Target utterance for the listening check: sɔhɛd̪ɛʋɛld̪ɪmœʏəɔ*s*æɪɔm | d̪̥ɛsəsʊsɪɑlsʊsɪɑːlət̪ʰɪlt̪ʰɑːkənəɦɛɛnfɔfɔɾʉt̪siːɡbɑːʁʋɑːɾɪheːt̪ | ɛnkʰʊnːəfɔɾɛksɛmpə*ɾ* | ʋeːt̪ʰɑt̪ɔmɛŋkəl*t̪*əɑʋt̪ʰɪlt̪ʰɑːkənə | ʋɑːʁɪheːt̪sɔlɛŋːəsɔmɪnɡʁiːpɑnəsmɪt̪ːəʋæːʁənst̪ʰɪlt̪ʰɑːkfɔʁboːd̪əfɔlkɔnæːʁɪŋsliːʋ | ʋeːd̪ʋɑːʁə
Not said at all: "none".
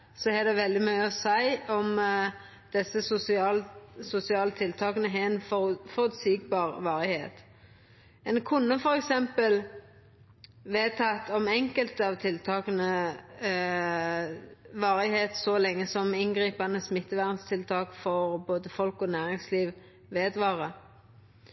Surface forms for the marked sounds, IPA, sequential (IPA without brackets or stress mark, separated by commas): s, l, t̪